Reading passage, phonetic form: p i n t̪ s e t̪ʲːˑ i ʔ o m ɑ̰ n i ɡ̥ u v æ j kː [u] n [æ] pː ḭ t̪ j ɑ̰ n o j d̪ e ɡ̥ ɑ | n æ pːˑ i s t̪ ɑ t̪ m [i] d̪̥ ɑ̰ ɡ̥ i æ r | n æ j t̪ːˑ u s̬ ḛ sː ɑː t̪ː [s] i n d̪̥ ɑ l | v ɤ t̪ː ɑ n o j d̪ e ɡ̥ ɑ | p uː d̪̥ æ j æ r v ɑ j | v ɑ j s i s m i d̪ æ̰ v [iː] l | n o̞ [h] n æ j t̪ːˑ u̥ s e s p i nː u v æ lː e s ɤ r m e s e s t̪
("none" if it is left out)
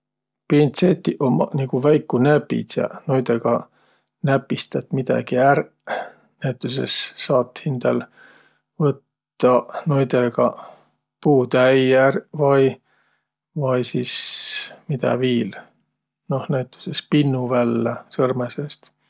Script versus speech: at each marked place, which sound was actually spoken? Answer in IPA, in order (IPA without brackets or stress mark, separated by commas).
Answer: u, æ, i, h, iː, h